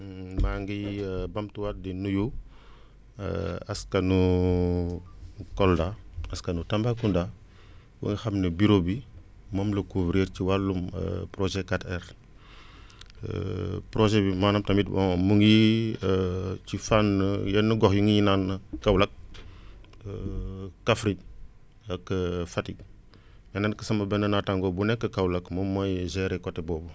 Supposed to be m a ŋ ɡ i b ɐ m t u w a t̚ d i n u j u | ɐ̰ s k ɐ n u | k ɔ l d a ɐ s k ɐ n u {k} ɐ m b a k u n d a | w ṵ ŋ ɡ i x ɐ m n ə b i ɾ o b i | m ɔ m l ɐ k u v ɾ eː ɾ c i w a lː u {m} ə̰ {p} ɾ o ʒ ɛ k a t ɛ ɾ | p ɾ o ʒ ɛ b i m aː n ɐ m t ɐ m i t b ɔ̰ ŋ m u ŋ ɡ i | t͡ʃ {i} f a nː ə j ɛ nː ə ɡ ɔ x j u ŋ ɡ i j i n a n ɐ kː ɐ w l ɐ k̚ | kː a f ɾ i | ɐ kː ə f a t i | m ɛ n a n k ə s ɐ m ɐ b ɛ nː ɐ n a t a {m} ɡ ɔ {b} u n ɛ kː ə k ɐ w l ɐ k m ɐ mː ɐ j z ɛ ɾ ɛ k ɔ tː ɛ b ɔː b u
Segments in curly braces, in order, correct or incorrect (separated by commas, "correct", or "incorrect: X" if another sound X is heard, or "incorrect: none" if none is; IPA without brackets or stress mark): incorrect: t, correct, correct, correct, incorrect: ŋ, correct